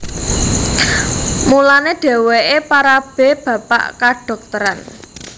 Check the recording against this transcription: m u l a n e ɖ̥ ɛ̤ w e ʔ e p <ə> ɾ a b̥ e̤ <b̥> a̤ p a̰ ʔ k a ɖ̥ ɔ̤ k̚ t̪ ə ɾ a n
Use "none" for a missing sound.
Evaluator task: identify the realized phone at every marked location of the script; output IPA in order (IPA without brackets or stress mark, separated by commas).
a, b̥